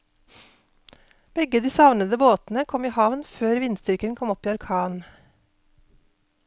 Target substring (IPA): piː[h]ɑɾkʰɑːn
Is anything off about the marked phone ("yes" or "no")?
yes